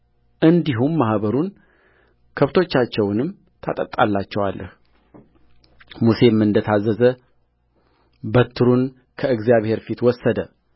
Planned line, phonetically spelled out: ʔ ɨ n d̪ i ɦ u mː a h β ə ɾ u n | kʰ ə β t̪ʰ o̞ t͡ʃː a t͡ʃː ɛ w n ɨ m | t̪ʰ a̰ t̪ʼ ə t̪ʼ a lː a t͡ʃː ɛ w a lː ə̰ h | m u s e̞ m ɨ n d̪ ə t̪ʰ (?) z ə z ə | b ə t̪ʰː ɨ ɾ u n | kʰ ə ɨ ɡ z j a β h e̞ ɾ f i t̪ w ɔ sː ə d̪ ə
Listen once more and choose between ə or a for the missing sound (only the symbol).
a